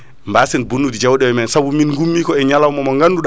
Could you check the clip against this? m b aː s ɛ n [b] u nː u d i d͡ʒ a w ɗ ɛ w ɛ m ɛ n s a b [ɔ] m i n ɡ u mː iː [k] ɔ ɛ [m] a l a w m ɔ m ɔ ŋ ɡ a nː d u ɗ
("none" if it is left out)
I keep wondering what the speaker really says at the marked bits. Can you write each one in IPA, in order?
b, u, k, ɲ

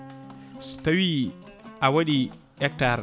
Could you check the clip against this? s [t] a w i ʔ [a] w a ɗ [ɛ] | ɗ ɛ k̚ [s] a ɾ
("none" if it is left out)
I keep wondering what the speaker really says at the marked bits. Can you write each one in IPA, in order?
t, a, i, t

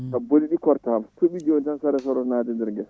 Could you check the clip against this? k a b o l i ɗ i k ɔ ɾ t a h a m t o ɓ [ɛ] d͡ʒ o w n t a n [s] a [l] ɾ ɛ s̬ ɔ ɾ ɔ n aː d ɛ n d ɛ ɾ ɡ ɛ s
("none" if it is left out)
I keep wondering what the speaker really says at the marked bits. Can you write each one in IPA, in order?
i, s, none

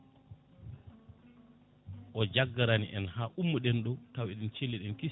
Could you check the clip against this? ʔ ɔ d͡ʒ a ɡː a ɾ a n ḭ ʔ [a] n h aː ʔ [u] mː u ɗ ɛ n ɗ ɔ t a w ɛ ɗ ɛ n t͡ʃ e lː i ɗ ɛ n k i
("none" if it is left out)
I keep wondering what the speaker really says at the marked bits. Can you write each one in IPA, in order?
ɛ, u

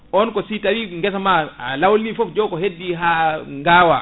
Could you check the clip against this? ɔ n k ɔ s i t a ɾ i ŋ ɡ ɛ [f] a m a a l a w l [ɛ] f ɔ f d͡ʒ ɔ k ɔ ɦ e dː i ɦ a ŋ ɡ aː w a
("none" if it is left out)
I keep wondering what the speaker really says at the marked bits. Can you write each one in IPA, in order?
s, i

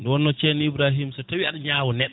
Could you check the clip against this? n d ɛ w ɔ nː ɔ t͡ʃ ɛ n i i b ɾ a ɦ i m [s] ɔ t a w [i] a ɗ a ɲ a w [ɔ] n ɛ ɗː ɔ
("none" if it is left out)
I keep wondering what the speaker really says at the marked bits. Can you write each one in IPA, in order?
s, i, ɔ

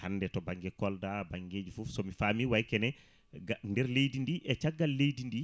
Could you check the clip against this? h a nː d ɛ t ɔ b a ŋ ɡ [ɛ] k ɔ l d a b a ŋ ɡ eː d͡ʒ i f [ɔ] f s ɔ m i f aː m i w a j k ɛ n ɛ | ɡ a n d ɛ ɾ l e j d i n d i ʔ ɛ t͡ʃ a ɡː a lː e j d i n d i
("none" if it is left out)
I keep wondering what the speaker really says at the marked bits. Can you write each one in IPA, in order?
ɛ, u

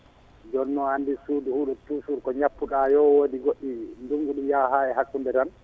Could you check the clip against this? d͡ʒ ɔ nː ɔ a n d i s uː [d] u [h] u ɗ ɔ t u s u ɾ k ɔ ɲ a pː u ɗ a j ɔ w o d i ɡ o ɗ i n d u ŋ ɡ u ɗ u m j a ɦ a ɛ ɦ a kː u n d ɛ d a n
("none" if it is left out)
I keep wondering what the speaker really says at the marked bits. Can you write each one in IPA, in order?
d, h

